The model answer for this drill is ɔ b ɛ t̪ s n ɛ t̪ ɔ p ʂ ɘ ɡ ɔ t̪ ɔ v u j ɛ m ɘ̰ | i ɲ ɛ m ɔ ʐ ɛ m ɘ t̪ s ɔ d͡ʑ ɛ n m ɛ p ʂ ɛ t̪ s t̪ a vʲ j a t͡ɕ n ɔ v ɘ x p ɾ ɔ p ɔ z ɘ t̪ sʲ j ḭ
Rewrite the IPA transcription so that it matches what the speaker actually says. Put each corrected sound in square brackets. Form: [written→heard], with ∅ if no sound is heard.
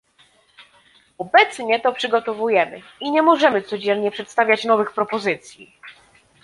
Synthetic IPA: ɔ b ɛ t̪ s [n→ɲ] ɛ t̪ ɔ p ʂ ɘ ɡ ɔ t̪ ɔ v u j ɛ m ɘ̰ | i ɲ ɛ m ɔ ʐ ɛ m ɘ t̪ s ɔ d͡ʑ ɛ n [m→ɲ] ɛ p ʂ ɛ t̪ s t̪ a vʲ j a t͡ɕ n ɔ v ɘ x p ɾ ɔ p ɔ z ɘ t̪ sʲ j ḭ